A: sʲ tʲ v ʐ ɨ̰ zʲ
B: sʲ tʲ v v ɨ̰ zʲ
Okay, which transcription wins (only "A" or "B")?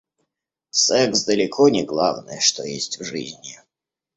A